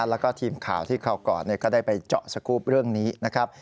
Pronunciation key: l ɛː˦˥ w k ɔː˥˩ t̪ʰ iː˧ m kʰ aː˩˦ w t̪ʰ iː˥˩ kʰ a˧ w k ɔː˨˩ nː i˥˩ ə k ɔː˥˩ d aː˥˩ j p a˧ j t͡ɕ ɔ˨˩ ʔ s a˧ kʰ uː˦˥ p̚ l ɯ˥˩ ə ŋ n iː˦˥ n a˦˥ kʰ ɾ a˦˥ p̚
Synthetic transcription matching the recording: l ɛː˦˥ w k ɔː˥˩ t̪ʰ iː˧ m kʰ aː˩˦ w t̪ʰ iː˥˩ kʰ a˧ w k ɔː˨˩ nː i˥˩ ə k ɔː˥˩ d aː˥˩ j p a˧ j t͡ɕ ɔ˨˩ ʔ s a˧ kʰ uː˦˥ p̚ ɾ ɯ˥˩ ə ŋ n iː˦˥ n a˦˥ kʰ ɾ a˦˥ p̚